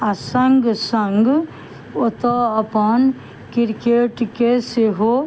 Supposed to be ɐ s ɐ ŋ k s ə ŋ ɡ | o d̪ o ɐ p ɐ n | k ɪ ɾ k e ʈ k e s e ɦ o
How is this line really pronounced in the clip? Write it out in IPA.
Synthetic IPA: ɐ s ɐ ŋ ɡ s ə ŋ ɡ | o t̪ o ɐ p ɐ n | k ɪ ɾ k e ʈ k e s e ɦ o